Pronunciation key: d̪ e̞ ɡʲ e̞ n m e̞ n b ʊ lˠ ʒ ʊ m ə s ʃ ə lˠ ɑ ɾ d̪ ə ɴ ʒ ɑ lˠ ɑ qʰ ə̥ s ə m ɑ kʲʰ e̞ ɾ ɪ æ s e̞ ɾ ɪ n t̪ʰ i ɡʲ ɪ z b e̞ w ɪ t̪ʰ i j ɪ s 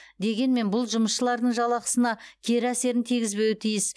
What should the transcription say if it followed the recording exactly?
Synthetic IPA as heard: d̪ e̞ ɡʲ e̞ n m e̞ n b ʊ lˠ ʒ ʊ m ə s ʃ ə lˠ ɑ ɾ d̪ ə ɴ ʒ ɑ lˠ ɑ q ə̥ s ə n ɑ kʲʰ e̞ ɾ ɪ æ s e̞ ɾ ɪ n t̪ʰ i ɡʲ ɪ z b e̞ w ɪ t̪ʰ i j ɪ s